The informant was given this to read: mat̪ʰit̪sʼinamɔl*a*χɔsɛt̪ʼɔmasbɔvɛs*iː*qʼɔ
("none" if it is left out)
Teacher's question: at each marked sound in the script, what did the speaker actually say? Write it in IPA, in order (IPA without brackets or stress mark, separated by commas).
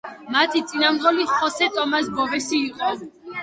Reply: i, iː